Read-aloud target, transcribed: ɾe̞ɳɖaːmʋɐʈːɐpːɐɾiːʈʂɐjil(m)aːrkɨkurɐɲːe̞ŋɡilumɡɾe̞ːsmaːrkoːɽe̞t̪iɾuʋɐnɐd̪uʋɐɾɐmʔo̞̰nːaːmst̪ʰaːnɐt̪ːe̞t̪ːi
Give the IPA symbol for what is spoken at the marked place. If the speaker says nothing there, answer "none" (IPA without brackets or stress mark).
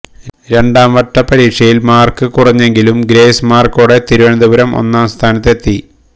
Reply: m